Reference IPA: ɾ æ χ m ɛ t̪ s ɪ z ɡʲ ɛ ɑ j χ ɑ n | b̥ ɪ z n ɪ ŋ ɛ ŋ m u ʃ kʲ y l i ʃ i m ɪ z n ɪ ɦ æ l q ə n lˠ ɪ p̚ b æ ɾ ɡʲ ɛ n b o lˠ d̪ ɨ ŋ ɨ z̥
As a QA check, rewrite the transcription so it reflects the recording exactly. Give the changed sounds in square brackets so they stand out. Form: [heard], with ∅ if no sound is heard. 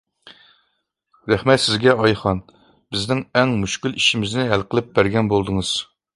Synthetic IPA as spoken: ɾ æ χ m ɛ t̪ s ɪ z ɡʲ ɛ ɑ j χ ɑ n | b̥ ɪ z n ɪ ŋ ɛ ŋ m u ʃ kʲ y l i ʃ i m ɪ z n ɪ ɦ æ l q ə [∅] lˠ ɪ p̚ b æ ɾ ɡʲ ɛ n b o lˠ d̪ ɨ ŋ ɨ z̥